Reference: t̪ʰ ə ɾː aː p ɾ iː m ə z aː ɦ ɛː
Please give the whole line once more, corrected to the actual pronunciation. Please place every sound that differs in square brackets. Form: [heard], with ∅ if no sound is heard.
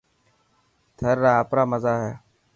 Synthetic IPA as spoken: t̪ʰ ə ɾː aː p ɾ [aː] m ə z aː ɦ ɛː